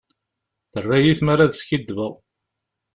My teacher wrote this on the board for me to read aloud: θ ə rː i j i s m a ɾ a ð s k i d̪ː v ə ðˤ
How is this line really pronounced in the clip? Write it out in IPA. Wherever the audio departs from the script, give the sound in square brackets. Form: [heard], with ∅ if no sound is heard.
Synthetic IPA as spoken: θ ə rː [æ] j i [θ] m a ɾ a ð s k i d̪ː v ə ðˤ